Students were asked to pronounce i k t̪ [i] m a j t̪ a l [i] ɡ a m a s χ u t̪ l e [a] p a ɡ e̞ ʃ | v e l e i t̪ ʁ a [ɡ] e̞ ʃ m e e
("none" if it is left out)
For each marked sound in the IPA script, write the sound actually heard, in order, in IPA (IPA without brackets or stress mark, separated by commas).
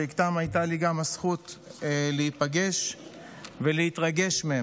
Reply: a, i, i, ɡ